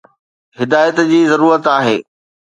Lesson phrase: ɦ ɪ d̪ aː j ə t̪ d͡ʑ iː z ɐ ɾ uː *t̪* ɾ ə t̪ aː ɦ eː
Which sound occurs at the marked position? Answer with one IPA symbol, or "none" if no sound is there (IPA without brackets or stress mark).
none